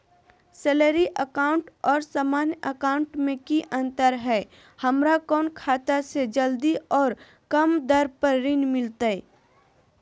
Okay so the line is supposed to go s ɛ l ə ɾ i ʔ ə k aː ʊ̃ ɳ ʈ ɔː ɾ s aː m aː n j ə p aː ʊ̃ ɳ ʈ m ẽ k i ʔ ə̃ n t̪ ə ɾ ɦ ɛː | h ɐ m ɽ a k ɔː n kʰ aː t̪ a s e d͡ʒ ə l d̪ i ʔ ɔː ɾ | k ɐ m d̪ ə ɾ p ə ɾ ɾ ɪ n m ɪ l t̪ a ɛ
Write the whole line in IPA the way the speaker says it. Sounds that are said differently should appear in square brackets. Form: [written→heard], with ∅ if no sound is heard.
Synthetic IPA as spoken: s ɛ l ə ɾ i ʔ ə k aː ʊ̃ ɳ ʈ ɔː ɾ s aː m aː n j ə [p→k] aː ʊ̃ ɳ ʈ m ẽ k i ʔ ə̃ n t̪ ə ɾ ɦ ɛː | h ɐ m [ɽ→ɾ] a k ɔː n kʰ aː t̪ a s e d͡ʒ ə l d̪ i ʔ ɔː ɾ | k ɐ m d̪ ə ɾ p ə ɾ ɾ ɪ n m ɪ l t̪ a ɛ